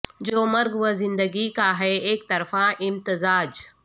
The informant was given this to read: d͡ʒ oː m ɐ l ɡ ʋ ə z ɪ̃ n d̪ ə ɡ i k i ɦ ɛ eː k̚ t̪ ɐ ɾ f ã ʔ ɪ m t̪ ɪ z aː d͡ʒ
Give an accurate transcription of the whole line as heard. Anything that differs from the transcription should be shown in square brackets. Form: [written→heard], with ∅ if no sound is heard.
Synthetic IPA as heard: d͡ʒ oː m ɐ [l→ɾ] ɡ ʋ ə z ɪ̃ n d̪ ə ɡ i k [i→a] ɦ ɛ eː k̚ t̪ ɐ ɾ f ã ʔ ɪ m t̪ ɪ z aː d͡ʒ

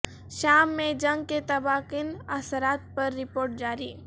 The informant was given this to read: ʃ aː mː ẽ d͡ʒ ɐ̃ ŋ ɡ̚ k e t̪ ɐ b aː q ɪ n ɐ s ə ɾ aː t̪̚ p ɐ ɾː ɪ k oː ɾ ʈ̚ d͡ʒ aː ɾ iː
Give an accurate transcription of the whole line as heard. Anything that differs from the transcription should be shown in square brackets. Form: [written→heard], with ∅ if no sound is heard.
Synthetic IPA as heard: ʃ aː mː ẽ d͡ʒ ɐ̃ ŋ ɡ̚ k e t̪ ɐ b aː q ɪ n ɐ s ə ɾ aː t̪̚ p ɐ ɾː ɪ [k→p] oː ɾ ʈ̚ d͡ʒ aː ɾ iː

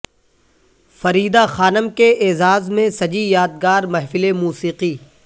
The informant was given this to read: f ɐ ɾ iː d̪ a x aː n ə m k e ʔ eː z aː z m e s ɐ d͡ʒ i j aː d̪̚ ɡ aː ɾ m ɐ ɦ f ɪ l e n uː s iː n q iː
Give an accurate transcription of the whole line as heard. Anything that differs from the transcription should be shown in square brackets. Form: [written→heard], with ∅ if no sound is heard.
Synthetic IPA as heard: f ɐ ɾ iː d̪ a x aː n ə m k e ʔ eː z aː z m [e→ẽ] s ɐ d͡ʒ i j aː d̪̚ ɡ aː ɾ m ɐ ɦ f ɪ l e [n→m] uː s iː [n→∅] q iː

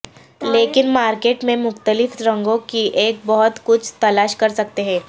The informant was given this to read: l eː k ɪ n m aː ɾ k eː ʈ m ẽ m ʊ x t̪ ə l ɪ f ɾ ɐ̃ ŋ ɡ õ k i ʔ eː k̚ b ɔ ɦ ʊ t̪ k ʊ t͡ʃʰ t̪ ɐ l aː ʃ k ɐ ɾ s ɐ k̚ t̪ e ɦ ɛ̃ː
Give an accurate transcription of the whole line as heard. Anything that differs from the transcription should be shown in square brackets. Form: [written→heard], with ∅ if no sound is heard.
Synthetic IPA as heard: l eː k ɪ n m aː ɾ k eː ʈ m ẽ m ʊ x t̪ ə l ɪ f ɾ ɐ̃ ŋ ɡ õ k i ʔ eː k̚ b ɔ ɦ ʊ t̪ k ʊ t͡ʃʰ t̪ ɐ l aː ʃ k ɐ ɾ s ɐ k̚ t̪ e ɦ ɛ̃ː

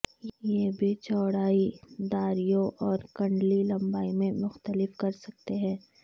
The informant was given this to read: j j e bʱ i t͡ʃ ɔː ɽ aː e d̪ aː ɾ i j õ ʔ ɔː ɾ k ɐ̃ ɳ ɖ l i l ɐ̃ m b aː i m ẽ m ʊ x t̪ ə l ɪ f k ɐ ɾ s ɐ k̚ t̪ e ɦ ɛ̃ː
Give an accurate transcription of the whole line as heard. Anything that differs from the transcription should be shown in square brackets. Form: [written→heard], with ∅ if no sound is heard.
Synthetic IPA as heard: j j e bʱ i t͡ʃ ɔː ɽ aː [e→i] d̪ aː ɾ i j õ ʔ ɔː ɾ k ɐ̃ ɳ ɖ l i l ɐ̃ m b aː i m ẽ m ʊ x t̪ ə l ɪ f k ɐ ɾ s ɐ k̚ t̪ e ɦ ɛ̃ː

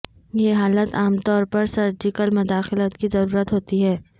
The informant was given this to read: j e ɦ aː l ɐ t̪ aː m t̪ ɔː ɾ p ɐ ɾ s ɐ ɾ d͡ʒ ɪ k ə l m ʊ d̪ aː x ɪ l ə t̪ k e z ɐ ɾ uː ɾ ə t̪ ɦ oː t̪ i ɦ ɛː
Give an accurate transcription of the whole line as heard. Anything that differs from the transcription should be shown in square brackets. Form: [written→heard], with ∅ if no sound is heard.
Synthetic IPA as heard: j e ɦ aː l [ɐ→ə] t̪ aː m t̪ ɔː ɾ p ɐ ɾ s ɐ ɾ d͡ʒ ɪ k ə l m ʊ d̪ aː x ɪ l ə t̪ k [e→i] z ɐ ɾ uː ɾ ə t̪ ɦ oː t̪ i ɦ ɛː

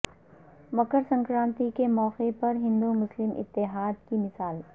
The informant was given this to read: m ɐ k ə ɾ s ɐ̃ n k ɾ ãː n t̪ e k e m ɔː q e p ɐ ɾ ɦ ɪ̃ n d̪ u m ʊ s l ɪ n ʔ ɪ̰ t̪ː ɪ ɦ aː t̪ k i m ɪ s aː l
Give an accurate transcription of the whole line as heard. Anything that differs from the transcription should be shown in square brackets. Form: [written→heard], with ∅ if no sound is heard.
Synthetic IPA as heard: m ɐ k ə ɾ s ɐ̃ [n→ŋ] k ɾ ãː n t̪ [e→i] k e m ɔː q e p ɐ ɾ ɦ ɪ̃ n d̪ u m ʊ s l ɪ [n→m] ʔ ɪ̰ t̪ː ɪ ɦ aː [t̪→d̪] k i m ɪ s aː l

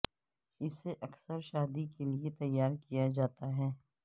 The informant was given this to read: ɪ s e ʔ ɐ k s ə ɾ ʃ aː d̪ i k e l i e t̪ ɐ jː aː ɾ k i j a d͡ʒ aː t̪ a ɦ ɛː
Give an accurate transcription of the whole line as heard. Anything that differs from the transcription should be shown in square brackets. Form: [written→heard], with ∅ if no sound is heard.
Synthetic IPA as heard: ɪ s e ʔ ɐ k s ə ɾ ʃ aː d̪ i k e l i e t̪ ɐ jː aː ɾ k i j a d͡ʒ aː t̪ a ɦ ɛː

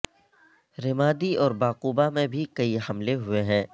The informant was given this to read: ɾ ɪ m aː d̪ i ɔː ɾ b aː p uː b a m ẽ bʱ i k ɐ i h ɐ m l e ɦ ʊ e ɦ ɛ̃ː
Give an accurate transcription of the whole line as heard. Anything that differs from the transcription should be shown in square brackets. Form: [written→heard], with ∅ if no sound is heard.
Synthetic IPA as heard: ɾ ɪ m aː d̪ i ɔː ɾ b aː [p→q] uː b a m ẽ bʱ i k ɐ i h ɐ m l e ɦ ʊ e ɦ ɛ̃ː

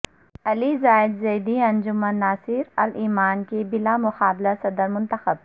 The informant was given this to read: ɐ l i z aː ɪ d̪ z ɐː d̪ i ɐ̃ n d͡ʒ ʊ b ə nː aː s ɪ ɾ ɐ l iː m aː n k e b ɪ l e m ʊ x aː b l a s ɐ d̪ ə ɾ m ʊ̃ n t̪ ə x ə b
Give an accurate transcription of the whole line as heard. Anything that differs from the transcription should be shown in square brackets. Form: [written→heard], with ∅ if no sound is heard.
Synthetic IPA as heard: ɐ l i z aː ɪ d̪ z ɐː d̪ i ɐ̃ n d͡ʒ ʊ [b→m] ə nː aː s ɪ ɾ ɐ l iː m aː n k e b ɪ l [e→a] m ʊ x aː b l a s ɐ d̪ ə ɾ m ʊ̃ n t̪ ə x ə b

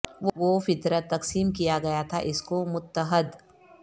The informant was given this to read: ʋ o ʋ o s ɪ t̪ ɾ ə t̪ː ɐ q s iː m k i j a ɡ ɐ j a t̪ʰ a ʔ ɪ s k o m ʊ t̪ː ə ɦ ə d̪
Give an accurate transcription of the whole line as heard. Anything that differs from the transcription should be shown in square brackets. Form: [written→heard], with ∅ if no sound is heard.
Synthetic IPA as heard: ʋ o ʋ o [s→f] ɪ t̪ ɾ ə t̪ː ɐ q s iː m k i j a ɡ ɐ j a t̪ʰ a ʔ ɪ s k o m ʊ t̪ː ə ɦ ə d̪

